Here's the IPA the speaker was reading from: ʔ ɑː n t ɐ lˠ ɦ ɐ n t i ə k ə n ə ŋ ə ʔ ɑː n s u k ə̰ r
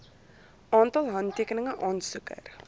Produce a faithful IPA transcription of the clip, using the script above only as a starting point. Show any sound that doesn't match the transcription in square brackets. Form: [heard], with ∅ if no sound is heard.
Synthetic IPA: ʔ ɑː n t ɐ lˠ ɦ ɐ n t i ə k ə n ə ŋ ə ʔ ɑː n s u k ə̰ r